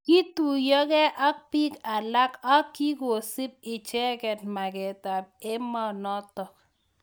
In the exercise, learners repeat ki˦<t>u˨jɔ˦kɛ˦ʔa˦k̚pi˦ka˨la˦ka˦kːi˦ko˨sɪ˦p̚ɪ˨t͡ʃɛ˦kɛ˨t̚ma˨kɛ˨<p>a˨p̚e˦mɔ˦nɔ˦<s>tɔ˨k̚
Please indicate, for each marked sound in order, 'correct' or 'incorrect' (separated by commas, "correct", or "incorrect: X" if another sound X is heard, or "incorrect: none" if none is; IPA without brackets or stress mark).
correct, incorrect: t, incorrect: none